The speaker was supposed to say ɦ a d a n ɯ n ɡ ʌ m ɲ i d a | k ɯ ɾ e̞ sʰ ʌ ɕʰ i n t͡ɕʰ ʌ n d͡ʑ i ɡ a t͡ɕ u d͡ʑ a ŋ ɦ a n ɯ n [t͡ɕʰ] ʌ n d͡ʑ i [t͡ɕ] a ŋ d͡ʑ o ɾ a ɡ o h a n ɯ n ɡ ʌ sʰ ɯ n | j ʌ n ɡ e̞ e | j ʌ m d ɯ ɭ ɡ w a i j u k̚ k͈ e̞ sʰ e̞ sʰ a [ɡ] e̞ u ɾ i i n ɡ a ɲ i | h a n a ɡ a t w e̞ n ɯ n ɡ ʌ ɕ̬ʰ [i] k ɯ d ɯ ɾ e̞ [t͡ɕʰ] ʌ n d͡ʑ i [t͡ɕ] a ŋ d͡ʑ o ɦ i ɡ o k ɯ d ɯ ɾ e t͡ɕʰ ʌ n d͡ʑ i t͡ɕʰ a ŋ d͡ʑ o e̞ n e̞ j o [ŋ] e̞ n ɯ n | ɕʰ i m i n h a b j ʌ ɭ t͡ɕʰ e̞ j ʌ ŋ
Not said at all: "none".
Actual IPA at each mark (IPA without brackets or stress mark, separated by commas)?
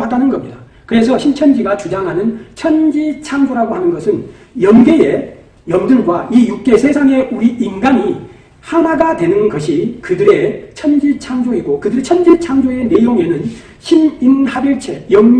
t͡ɕʰ, t͡ɕʰ, ŋ, i, t͡ɕʰ, t͡ɕʰ, ŋ